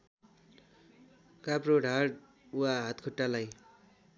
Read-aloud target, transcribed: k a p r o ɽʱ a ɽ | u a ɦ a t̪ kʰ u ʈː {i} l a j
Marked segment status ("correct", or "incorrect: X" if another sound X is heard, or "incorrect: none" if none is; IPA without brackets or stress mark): incorrect: a